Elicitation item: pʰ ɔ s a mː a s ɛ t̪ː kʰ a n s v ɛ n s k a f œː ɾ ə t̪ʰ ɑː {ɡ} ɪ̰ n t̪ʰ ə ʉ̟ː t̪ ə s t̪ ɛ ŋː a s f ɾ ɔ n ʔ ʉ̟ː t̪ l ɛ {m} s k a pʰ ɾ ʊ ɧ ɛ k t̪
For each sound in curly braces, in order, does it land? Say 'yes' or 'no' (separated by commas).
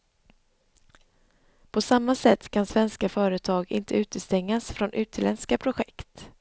yes, no